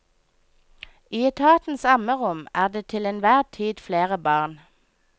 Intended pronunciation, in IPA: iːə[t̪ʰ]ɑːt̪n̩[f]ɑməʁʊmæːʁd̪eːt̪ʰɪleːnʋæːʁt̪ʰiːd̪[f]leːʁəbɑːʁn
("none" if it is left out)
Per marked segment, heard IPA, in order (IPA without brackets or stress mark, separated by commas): t̪ʰ, s, f